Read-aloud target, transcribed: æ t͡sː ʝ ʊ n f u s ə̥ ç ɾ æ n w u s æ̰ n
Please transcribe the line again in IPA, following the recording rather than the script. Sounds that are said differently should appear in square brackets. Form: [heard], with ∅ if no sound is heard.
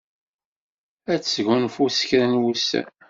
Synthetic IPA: æ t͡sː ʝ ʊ n f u s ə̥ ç ɾ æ n w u s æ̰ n